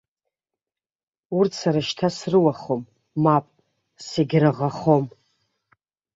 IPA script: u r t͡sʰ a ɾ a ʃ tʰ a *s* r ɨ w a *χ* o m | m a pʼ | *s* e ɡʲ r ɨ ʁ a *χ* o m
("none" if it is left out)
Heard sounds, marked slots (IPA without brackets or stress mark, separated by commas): s, χ, s, χ